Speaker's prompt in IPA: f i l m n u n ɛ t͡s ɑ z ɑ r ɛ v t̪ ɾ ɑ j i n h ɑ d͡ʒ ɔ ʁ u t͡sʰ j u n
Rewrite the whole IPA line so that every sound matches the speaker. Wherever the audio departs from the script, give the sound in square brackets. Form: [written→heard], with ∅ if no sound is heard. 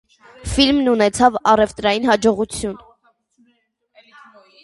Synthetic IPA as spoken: f i l m n u n ɛ [t͡s→t͡sʰ] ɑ [z→v] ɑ r ɛ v t̪ ɾ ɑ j i n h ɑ d͡ʒ ɔ ʁ u t͡sʰ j u n